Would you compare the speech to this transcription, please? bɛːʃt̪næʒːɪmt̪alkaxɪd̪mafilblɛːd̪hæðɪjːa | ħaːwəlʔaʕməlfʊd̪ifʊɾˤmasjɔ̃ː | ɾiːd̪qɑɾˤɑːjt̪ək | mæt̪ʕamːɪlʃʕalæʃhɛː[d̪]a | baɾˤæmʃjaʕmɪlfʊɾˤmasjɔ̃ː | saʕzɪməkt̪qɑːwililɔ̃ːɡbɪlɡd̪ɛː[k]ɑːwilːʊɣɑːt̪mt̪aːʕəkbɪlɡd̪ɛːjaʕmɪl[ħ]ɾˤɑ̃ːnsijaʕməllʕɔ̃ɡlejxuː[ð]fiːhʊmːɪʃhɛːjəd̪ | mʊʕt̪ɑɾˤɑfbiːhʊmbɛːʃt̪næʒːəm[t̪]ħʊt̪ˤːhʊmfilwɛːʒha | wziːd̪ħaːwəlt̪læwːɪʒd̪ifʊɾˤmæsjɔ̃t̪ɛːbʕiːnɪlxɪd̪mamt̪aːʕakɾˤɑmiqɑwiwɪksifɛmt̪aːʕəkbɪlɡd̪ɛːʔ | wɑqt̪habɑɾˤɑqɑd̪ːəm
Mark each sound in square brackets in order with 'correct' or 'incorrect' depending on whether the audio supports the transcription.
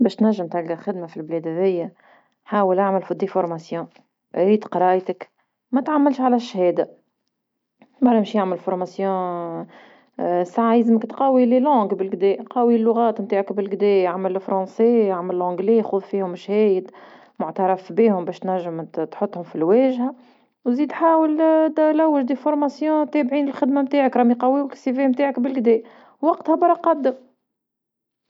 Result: correct, incorrect: q, incorrect: f, correct, correct

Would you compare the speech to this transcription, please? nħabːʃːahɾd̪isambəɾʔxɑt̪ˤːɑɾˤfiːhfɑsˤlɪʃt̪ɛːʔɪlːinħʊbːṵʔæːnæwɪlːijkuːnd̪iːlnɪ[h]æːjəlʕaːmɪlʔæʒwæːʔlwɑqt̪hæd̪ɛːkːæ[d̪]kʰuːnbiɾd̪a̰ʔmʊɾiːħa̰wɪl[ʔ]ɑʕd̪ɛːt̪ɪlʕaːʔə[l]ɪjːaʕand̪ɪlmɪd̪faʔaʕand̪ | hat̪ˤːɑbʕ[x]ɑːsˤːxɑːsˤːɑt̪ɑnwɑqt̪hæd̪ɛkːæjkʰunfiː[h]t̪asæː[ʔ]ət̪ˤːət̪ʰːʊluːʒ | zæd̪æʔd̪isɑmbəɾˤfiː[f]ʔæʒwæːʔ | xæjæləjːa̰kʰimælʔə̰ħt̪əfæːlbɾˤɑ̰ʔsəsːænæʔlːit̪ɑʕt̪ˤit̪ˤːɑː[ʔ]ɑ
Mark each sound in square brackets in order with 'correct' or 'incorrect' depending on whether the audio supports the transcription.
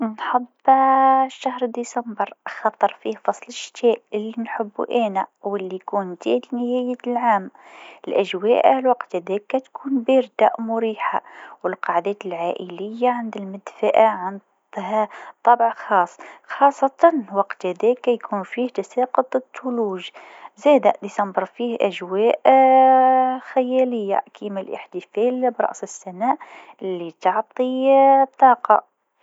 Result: correct, incorrect: t̪, incorrect: q, correct, correct, correct, incorrect: q, incorrect: h, incorrect: q

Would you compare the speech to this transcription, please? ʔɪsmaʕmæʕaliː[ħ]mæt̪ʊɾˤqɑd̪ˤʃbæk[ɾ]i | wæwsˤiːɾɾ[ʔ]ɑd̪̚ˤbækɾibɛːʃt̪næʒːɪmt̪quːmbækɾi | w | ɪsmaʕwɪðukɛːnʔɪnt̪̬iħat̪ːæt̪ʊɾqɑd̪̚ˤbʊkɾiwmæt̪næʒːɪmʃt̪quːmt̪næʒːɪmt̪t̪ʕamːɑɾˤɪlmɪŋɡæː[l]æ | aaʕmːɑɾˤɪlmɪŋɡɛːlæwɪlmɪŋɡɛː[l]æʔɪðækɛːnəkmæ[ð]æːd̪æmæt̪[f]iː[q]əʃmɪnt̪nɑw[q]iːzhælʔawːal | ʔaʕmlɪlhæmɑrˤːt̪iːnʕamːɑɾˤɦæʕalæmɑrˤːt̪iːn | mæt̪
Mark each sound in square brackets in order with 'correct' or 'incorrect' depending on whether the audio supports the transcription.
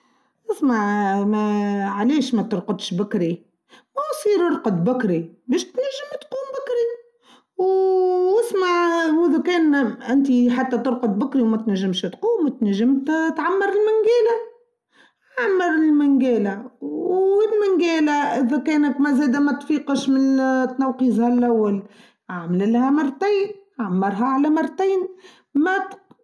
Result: incorrect: ʃ, correct, incorrect: q, correct, correct, incorrect: z, correct, correct, correct

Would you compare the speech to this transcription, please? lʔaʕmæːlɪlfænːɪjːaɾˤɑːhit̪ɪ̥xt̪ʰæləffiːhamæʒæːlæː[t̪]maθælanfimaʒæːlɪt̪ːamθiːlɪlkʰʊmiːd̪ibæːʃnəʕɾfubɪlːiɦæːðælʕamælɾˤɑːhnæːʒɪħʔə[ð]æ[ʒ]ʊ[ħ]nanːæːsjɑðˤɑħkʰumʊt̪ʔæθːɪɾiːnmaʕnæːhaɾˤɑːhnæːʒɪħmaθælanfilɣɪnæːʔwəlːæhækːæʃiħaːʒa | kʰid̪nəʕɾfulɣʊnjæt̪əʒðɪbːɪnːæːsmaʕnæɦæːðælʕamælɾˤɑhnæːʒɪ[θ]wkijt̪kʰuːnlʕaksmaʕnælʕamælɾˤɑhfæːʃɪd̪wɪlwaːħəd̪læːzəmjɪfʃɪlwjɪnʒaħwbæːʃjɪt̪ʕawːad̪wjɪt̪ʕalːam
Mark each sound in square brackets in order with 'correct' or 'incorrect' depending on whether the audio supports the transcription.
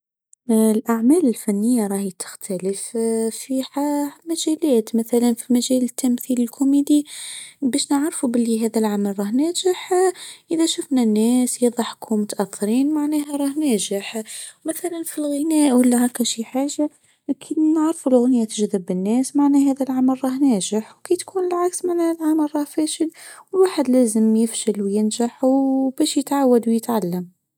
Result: correct, correct, incorrect: ʃ, incorrect: f, incorrect: ħ

